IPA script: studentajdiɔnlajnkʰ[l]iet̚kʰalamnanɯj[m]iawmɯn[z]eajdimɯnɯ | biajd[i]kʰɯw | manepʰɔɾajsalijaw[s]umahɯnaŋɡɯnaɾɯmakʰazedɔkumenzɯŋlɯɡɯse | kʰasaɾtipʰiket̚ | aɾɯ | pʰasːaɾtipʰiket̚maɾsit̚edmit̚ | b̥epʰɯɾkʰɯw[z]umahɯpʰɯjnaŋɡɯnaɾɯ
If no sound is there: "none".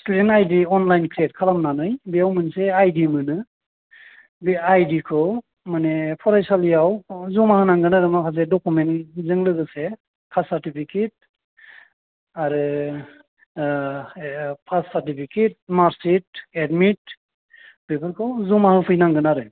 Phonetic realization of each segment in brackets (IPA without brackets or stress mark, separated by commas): ɾ, b, s, i, z, z